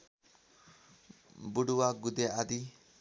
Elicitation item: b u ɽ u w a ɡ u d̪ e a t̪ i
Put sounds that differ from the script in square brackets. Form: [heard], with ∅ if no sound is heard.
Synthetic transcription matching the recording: b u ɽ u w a ɡ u d̪ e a [d̪] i